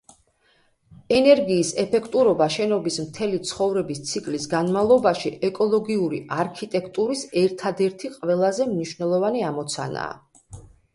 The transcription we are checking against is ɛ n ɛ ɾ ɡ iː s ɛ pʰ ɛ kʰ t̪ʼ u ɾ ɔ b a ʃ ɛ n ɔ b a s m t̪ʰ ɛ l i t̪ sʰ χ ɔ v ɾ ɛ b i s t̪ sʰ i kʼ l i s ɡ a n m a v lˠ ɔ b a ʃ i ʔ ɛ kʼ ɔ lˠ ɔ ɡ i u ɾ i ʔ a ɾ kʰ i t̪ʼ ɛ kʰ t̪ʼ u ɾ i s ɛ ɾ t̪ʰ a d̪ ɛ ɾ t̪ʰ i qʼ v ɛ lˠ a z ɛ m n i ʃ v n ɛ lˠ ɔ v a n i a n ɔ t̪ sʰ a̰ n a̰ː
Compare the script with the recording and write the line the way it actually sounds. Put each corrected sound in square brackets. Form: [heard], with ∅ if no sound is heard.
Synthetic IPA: ɛ n ɛ ɾ ɡ iː s ɛ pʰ ɛ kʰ t̪ʼ u ɾ ɔ b a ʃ ɛ n ɔ b [i] s m t̪ʰ ɛ l i t̪ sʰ χ ɔ v ɾ ɛ b i s t̪ sʰ i kʼ l i s ɡ a n m a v lˠ ɔ b a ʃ i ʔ ɛ kʼ ɔ lˠ ɔ ɡ i u ɾ i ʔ a ɾ kʰ i t̪ʼ ɛ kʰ t̪ʼ u ɾ i s ɛ ɾ t̪ʰ a d̪ ɛ ɾ t̪ʰ i qʼ v ɛ lˠ a z ɛ m n i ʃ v n ɛ lˠ ɔ v a n i a [m] ɔ t̪ sʰ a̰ n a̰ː